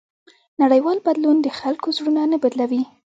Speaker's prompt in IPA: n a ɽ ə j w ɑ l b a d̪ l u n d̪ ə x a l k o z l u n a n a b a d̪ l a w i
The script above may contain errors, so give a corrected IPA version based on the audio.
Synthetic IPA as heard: n a ɽ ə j w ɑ l b a d̪ l u n d̪ ə x a l k o z ɽ u n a n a b a d̪ l a w i